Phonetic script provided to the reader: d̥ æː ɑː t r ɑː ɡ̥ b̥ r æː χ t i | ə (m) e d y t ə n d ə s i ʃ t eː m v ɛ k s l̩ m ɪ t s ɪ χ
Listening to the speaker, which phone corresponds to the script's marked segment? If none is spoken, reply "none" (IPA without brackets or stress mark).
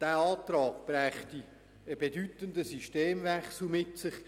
b